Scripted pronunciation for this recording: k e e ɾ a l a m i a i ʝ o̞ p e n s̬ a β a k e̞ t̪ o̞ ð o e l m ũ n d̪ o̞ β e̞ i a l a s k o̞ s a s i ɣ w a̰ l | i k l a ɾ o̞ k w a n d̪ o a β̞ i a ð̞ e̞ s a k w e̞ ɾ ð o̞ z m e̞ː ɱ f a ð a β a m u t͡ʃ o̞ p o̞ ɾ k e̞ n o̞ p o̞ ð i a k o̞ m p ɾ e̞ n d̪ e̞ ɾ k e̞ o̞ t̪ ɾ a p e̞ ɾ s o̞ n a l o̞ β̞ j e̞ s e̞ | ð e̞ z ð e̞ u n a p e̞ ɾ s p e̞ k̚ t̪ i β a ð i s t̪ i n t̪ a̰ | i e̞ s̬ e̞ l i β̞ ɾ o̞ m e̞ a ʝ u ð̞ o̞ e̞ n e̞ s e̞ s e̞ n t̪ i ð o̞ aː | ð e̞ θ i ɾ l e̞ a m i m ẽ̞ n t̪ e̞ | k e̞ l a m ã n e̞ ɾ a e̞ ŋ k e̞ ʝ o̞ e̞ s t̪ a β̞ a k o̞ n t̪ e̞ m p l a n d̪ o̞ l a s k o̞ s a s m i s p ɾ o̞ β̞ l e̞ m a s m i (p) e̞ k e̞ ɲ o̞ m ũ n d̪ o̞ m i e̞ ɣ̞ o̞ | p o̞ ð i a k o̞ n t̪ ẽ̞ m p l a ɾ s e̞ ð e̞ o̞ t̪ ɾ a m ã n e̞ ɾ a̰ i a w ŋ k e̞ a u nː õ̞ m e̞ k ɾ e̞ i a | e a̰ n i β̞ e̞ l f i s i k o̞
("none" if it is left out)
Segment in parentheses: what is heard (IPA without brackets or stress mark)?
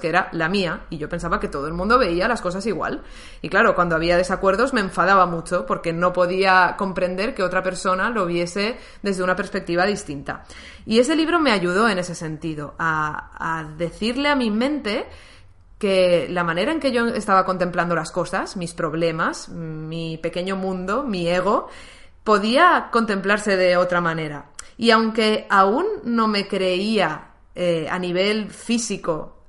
p